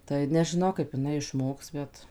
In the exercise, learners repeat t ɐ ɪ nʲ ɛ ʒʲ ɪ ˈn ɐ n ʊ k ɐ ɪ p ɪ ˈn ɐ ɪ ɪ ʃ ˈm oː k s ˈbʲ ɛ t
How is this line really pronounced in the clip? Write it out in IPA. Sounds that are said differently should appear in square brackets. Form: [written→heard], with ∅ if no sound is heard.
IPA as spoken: t ɐ ɪ nʲ ɛ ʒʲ ɪ ˈn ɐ [n→∅] ʊ k ɐ ɪ p ɪ ˈn ɐ ɪ ɪ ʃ ˈm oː k s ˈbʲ ɛ t